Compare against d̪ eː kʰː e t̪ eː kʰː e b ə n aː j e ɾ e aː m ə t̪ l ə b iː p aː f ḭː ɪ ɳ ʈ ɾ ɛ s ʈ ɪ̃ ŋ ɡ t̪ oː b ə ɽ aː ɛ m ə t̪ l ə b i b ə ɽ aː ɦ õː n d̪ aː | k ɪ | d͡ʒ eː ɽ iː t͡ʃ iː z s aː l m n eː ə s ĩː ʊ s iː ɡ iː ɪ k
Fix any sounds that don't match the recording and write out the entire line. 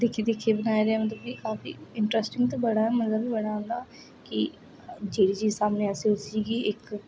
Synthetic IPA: d̪ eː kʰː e d̪ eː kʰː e b ə n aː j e ɾ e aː m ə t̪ l ə b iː k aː f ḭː ɪ ɳ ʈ ɾ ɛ s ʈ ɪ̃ ŋ ɡ t̪ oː b ə ɽ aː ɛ m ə t̪ l ə b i b ə ɽ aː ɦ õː n d̪ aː | k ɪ | d͡ʒ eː ɽ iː t͡ʃ iː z s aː m n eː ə s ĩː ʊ s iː ɡ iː ɪ k